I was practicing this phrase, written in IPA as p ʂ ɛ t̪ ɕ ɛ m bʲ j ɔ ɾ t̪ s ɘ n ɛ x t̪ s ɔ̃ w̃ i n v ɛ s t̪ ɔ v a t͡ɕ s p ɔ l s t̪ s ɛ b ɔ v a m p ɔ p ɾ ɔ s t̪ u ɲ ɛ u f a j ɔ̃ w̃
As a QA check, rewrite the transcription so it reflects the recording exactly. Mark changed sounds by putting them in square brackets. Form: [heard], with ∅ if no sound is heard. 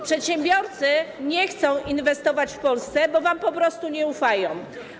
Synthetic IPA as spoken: p ʂ ɛ t̪ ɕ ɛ m bʲ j ɔ ɾ t̪ s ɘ [ɲ] ɛ x t̪ s ɔ̃ w̃ i n v ɛ s t̪ ɔ v a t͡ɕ [f] p ɔ l s t̪ s ɛ b ɔ v a m p ɔ p ɾ ɔ s t̪ u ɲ ɛ u f a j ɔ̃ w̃